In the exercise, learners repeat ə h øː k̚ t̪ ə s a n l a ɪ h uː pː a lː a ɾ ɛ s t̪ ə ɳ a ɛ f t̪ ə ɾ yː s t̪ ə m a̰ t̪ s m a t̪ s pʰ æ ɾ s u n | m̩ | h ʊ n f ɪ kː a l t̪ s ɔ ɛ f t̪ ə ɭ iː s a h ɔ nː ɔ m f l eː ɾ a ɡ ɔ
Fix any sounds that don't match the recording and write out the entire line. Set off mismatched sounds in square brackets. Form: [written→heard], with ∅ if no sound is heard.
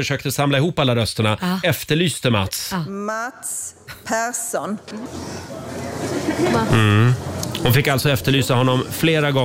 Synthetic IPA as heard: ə [h→ʂ] øː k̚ t̪ ə s a [n→m] l a ɪ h uː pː a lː a ɾ [ɛ→œ] s t̪ ə ɳ a ɛ f t̪ ə [ɾ→ɭ] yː s t̪ ə m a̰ t̪ s m a t̪ s pʰ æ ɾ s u n | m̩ | h ʊ n f ɪ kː a l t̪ s ɔ ɛ f t̪ ə ɭ [iː→yː] s a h ɔ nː ɔ m f l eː ɾ a ɡ ɔ